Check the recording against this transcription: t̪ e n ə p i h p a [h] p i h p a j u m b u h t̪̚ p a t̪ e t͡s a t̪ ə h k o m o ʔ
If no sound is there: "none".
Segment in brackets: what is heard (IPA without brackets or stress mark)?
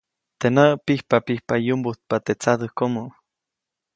none